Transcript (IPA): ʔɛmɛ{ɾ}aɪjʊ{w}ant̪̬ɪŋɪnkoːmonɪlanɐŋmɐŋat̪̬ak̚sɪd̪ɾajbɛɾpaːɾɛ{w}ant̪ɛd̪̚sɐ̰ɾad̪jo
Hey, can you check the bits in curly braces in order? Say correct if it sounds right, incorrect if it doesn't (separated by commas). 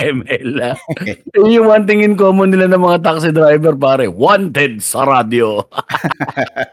incorrect, correct, correct